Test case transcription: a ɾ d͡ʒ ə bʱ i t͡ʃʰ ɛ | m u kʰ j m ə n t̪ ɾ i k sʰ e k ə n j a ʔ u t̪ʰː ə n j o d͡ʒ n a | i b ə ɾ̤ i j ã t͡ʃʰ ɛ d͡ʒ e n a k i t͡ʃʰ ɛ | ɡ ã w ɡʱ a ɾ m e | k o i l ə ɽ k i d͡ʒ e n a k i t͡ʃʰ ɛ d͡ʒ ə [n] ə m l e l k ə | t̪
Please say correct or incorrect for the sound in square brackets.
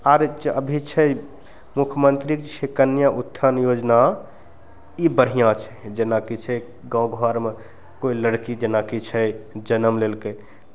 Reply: correct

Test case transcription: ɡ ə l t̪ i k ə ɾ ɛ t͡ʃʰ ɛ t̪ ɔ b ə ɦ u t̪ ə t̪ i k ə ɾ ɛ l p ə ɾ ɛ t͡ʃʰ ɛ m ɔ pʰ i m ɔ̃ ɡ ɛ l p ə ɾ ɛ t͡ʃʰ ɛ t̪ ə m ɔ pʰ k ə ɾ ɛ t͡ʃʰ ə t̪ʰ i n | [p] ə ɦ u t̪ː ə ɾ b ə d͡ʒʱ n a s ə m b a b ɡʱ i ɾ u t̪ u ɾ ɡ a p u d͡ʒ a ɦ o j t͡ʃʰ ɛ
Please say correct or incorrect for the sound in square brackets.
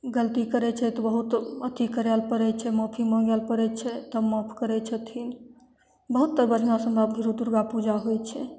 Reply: incorrect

